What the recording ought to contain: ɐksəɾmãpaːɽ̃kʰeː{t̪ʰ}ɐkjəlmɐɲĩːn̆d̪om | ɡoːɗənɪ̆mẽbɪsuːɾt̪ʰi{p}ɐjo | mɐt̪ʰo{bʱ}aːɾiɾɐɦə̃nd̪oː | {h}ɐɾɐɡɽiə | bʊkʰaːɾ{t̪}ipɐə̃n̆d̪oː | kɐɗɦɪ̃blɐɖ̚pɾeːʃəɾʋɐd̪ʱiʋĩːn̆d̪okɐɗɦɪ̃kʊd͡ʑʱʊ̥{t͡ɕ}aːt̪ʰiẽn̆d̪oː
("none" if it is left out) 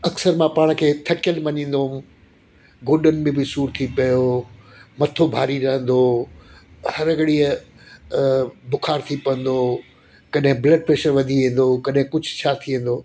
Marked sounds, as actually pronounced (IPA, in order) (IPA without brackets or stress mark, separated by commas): t̪ʰ, p, bʱ, h, t̪ʰ, t͡ɕʰ